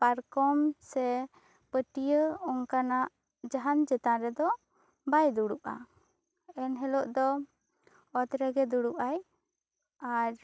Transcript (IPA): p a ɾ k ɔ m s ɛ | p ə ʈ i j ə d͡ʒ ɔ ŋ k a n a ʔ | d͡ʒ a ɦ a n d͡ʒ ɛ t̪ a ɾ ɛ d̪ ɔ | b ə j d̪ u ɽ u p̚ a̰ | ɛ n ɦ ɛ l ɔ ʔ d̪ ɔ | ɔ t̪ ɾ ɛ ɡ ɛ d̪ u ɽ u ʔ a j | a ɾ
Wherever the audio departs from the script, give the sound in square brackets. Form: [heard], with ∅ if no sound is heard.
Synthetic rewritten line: p a ɾ k ɔ m s ɛ | p ə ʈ i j ə [∅] ɔ ŋ k a n a ʔ | d͡ʒ a ɦ a n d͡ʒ ɛ t̪ a ɾ ɛ d̪ ɔ | b [a] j d̪ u ɽ u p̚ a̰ | ɛ n ɦ ɛ l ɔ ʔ d̪ ɔ | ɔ t̪ ɾ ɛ ɡ ɛ d̪ u ɽ u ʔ a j | a ɾ